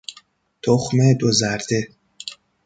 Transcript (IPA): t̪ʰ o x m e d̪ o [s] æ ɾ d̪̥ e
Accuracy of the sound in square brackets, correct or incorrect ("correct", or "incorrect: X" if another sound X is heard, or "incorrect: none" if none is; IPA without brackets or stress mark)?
incorrect: z